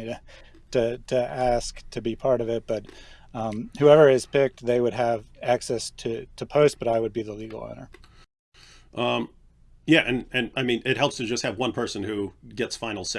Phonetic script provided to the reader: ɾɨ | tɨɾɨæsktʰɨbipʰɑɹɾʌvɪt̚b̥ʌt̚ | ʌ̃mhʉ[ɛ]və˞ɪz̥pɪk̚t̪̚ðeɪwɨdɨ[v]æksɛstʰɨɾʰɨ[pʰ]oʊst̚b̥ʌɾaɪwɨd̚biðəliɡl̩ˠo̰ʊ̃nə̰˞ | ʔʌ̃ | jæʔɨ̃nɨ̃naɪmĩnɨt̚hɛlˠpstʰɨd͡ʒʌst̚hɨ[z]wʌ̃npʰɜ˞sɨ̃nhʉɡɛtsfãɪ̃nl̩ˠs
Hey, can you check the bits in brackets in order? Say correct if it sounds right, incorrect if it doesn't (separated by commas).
correct, correct, correct, incorrect